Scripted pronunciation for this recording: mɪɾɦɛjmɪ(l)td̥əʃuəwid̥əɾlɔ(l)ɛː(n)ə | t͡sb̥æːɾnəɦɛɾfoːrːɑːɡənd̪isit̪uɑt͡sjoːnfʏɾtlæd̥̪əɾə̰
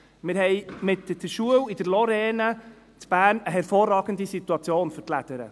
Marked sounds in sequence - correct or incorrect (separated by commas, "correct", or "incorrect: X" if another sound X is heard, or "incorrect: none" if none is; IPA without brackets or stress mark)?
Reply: incorrect: none, incorrect: ɾ, correct